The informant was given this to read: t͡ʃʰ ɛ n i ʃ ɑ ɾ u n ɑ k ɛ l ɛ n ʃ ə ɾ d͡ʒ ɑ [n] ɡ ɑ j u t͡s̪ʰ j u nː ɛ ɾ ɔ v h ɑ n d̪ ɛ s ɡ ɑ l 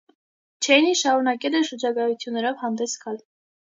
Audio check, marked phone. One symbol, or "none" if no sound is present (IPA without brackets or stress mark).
none